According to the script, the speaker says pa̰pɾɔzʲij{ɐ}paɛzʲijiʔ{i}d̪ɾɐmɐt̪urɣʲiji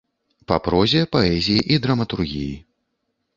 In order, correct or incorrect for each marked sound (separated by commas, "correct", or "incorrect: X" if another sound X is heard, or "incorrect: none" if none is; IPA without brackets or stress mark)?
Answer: correct, correct